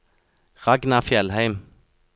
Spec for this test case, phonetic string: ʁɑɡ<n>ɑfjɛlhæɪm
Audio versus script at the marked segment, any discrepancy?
no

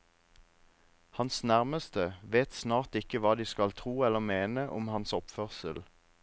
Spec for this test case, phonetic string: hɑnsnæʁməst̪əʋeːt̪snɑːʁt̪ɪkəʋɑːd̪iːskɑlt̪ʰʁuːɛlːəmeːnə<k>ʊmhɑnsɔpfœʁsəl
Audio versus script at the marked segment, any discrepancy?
yes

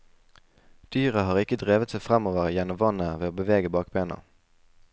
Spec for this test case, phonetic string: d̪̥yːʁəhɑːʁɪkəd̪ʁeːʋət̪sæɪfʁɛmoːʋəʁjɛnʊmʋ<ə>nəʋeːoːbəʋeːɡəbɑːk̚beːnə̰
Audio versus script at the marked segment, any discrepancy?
yes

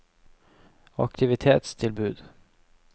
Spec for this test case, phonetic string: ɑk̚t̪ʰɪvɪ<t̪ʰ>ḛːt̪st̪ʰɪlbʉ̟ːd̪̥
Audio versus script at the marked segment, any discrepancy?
no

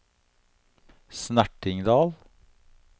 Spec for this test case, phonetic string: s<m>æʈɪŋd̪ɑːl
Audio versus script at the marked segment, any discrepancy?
yes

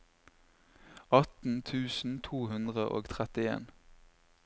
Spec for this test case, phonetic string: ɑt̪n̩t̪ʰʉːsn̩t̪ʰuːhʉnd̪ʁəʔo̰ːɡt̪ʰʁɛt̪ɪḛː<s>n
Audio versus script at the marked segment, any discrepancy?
yes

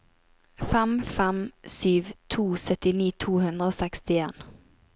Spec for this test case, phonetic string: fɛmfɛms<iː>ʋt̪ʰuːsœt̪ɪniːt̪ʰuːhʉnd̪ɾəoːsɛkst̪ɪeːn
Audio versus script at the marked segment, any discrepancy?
yes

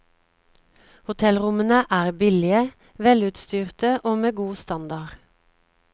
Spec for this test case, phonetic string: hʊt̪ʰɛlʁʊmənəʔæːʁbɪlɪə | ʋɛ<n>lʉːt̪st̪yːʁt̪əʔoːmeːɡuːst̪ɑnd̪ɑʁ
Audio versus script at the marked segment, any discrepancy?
yes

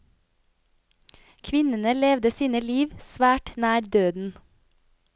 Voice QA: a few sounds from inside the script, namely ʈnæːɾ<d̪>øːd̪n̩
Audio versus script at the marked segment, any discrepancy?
no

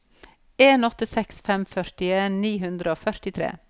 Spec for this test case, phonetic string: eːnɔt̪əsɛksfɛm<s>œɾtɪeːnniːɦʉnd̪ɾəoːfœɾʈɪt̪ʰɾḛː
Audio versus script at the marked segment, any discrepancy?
yes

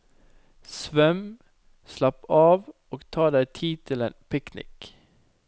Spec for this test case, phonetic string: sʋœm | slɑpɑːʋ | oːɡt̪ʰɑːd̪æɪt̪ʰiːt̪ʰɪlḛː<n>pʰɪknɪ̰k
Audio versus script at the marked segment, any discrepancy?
no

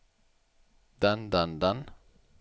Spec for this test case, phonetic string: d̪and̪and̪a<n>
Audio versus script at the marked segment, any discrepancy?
no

